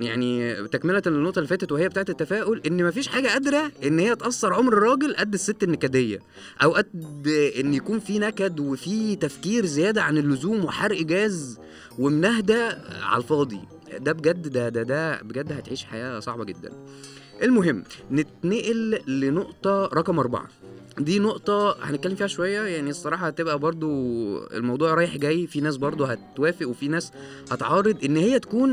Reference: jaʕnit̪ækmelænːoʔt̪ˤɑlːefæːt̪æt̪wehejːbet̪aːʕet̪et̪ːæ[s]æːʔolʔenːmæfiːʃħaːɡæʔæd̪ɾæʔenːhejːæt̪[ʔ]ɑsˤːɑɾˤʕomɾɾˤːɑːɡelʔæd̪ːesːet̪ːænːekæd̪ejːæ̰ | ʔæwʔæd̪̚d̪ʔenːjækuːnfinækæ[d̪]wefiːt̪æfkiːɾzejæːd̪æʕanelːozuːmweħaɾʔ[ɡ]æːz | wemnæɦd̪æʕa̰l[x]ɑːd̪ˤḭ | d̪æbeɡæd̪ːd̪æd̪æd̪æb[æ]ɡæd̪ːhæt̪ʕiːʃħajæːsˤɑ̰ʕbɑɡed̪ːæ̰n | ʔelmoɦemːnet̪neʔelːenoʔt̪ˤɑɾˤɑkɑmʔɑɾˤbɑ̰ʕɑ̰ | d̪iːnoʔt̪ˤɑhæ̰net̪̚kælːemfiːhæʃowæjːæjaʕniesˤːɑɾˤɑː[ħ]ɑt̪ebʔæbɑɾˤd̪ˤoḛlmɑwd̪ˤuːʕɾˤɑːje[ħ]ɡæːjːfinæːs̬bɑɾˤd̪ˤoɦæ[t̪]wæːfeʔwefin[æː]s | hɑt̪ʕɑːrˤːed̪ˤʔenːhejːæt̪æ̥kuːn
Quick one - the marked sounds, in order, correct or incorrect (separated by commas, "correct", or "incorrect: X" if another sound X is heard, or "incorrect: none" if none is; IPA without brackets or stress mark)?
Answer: incorrect: f, correct, correct, correct, incorrect: f, incorrect: e, correct, correct, correct, correct